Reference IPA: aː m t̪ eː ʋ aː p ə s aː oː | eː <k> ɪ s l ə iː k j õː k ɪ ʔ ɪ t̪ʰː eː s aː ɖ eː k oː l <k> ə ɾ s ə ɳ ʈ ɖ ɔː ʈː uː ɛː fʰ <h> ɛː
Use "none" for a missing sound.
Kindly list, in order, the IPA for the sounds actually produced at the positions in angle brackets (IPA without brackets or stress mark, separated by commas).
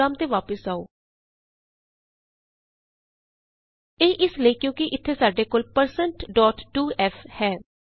ʔ, p, h